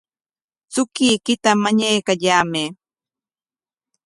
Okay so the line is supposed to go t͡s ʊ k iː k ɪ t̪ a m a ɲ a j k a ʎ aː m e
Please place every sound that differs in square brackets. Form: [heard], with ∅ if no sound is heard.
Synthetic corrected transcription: t͡s ʊ k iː k ɪ t̪ a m a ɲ a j k a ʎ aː m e